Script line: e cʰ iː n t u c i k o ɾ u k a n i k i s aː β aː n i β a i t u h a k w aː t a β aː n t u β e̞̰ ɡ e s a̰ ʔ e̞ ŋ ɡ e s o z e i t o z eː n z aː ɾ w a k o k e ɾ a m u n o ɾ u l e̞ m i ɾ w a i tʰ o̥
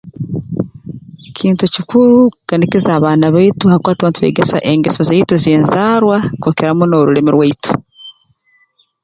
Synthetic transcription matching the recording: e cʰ iː n t u c i k u ɾ u k a n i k i z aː β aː n a β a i t u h a k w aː t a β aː n t u β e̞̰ ɡ e s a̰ ʔ e̞ ŋ ɡ e s o z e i t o z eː n z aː ɾ w a k o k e ɾ a m u n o ɾ u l e̞ m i ɾ w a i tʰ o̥

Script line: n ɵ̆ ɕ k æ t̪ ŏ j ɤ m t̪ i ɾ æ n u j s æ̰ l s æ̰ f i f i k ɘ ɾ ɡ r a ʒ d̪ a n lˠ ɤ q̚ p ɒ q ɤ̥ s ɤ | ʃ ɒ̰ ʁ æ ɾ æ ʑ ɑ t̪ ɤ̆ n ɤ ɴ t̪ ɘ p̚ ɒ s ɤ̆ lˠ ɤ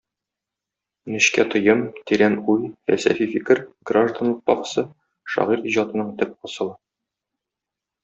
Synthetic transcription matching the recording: n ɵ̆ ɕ k æ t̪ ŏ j ɤ m t̪ i ɾ æ n u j f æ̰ l s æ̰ f i f i k ɘ ɾ ɡ r a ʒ d̪ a n lˠ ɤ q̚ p ɒ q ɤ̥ s ɤ | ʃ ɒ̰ ʁ i ɾ i ʑ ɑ t̪ ɤ̆ n ɤ ɴ t̪ ɘ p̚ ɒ s ɤ̆ lˠ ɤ

